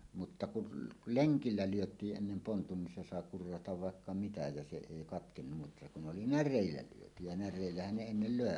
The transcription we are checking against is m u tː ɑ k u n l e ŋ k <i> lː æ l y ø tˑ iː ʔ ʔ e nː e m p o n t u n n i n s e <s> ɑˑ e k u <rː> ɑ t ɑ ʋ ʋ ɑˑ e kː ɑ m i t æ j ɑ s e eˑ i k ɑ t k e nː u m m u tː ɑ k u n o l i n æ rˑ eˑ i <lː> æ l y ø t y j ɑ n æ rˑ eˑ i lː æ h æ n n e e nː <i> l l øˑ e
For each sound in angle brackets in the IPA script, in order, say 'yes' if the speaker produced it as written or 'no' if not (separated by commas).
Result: yes, yes, yes, yes, no